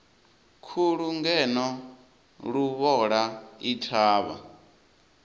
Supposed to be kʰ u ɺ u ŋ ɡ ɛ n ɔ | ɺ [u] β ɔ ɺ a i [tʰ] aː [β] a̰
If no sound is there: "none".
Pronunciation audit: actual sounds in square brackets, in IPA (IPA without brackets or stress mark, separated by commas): u, tʰ, β